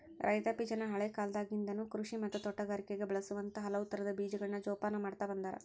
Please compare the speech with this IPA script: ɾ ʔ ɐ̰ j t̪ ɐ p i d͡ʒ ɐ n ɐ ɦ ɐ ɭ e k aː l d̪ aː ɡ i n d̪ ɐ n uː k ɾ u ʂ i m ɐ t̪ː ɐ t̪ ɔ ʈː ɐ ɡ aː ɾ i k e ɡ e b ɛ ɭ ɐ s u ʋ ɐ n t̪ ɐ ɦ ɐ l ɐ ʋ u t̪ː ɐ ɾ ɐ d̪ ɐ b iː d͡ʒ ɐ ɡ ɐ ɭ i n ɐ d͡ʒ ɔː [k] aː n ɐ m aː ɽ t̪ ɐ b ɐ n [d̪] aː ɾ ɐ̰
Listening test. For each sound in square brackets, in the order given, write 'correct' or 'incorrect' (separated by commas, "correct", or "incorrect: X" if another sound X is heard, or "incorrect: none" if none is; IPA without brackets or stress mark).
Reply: incorrect: p, correct